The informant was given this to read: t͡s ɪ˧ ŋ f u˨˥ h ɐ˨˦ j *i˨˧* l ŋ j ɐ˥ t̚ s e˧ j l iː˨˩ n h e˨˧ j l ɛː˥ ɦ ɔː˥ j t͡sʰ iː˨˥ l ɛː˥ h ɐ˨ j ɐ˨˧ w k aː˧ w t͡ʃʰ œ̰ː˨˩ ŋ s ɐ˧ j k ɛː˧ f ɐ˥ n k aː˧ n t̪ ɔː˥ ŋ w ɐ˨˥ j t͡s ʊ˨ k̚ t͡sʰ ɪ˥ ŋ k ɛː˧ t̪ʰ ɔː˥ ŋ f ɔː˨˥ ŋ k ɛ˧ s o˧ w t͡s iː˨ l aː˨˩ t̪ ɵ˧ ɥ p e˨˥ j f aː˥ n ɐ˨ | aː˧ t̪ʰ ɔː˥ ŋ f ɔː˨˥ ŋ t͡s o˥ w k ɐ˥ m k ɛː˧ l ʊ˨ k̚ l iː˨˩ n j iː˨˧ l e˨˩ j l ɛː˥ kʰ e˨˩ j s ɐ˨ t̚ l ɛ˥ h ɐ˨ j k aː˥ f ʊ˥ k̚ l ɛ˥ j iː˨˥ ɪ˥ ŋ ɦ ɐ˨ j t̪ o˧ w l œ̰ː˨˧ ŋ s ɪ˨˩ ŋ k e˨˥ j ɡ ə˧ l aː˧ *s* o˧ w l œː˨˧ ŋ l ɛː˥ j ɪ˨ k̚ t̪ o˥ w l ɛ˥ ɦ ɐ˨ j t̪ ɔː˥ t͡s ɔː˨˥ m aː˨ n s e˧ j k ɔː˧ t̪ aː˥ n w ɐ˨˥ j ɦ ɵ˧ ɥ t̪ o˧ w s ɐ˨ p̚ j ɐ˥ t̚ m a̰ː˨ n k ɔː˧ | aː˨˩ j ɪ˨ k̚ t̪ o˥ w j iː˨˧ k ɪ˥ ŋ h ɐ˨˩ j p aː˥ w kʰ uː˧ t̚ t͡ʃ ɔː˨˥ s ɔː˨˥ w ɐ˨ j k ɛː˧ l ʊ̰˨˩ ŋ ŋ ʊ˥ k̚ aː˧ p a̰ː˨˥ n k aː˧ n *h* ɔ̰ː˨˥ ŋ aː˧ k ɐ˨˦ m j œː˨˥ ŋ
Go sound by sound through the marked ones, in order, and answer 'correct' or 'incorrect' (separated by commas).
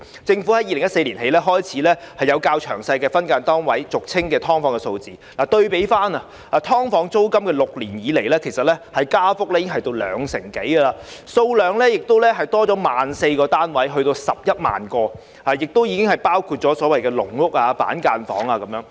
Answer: correct, correct, incorrect